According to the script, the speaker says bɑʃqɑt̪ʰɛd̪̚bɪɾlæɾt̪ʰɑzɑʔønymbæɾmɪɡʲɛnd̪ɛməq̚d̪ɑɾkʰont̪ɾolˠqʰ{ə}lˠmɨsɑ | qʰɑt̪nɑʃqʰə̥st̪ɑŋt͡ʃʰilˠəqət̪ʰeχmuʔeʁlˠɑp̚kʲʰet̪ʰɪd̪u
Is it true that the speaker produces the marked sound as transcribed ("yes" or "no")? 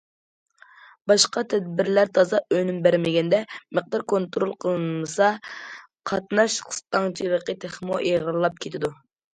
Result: yes